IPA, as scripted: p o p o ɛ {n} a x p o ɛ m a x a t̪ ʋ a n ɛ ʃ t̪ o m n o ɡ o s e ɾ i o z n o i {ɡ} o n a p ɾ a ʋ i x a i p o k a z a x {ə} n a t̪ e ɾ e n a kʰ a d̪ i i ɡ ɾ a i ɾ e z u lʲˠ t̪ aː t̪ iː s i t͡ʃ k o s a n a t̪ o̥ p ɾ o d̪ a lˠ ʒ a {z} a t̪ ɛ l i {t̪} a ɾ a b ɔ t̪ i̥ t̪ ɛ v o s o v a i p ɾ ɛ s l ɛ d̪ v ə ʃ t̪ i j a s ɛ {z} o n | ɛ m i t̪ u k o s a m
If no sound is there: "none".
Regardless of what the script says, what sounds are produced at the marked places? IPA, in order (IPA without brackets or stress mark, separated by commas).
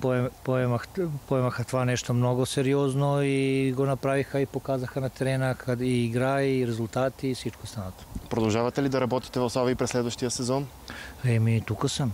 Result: m, ɡ, a, v, d̪, z